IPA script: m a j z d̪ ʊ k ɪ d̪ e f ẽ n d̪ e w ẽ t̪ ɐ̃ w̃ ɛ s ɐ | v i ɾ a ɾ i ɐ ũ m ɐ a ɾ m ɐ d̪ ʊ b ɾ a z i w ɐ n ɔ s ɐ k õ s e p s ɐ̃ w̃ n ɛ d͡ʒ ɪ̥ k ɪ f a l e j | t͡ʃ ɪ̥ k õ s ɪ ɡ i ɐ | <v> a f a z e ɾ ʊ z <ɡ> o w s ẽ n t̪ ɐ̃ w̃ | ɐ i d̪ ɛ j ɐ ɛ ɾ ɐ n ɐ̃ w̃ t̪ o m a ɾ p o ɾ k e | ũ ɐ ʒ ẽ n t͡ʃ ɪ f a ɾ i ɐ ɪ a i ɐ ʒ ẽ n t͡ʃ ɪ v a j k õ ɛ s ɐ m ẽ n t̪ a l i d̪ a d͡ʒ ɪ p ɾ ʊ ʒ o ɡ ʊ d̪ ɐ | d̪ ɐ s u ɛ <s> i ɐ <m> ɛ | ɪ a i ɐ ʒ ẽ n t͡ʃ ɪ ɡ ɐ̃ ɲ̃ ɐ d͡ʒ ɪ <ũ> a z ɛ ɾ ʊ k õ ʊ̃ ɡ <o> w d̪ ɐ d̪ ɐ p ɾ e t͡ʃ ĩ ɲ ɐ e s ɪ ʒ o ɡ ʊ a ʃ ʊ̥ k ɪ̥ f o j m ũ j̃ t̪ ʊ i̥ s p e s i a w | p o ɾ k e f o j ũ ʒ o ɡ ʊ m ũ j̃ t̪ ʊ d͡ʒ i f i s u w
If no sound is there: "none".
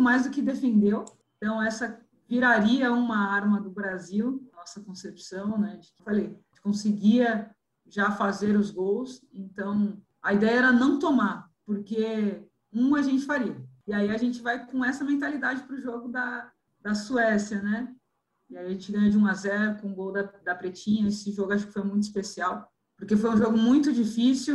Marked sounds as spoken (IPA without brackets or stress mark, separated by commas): ʒ, ɡ, s, n, ũ, o